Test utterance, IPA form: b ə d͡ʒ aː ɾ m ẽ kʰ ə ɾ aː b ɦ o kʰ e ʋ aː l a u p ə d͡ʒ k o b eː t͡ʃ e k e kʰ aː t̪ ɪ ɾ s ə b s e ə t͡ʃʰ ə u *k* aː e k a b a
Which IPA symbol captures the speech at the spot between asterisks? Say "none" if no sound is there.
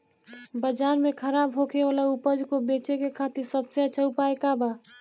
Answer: p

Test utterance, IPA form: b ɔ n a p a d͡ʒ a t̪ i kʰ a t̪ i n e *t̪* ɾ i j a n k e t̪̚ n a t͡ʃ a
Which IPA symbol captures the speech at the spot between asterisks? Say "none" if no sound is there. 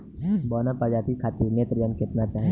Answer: t̪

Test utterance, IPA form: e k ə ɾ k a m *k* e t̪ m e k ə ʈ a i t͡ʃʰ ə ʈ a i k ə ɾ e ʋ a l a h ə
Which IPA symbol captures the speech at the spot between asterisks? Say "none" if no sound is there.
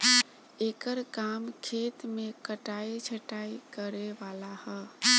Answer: kʰ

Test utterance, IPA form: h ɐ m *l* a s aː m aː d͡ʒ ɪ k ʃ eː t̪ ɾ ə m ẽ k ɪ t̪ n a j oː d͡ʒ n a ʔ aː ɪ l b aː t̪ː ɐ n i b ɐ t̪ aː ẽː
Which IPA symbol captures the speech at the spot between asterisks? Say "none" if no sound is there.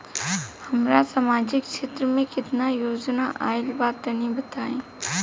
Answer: ɾ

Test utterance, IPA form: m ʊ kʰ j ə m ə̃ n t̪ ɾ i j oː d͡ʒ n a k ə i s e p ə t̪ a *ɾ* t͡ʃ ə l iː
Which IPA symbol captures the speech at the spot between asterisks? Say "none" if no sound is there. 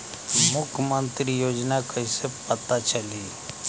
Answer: none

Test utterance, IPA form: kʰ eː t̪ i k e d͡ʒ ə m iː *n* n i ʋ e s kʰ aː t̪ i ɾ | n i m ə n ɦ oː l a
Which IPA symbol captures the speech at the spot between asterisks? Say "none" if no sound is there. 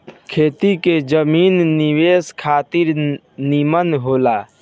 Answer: n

